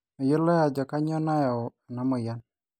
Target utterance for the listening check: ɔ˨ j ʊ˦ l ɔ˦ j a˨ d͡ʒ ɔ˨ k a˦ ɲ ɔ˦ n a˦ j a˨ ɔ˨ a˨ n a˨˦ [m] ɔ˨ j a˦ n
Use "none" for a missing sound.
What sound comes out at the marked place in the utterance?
m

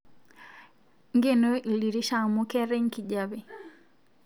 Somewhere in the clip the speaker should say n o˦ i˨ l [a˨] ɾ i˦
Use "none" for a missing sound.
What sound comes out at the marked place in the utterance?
i˨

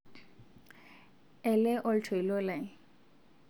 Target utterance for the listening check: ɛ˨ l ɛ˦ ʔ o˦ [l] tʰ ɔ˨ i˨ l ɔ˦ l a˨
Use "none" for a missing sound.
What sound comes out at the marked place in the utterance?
l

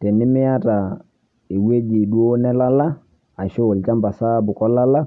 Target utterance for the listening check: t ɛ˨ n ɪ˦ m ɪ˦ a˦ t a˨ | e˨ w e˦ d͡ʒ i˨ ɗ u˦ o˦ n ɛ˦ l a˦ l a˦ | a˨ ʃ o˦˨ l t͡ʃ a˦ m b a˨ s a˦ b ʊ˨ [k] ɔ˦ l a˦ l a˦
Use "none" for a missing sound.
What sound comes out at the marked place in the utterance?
k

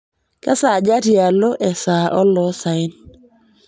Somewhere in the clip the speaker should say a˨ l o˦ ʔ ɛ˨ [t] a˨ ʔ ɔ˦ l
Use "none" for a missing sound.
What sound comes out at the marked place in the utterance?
s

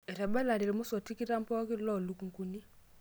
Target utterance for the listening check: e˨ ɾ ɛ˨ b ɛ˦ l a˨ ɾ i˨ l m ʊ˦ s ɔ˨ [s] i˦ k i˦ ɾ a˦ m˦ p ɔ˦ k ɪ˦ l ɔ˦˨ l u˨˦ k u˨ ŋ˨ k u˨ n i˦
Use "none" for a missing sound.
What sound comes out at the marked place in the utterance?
t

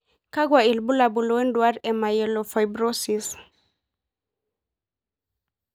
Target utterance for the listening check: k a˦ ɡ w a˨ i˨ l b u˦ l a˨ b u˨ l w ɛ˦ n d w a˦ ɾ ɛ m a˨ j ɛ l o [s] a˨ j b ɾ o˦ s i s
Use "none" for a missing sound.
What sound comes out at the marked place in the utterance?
f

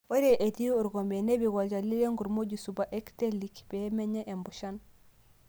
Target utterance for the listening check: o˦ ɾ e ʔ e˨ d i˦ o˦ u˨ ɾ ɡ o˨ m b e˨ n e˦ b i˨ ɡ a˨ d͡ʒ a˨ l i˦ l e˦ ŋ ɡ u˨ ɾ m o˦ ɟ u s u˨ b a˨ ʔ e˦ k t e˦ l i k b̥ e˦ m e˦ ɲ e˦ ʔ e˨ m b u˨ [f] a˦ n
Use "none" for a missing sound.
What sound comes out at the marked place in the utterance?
ʃ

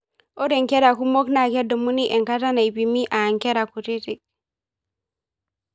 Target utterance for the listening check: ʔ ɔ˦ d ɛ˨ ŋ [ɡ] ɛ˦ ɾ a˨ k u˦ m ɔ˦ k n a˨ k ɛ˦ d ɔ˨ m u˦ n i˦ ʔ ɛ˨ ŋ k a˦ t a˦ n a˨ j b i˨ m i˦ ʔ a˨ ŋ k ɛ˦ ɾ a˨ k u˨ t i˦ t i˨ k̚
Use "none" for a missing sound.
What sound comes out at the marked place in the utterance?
k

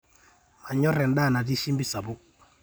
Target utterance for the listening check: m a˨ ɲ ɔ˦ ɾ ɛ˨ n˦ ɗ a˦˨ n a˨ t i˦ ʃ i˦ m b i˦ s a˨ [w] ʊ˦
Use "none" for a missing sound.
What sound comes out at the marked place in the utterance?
b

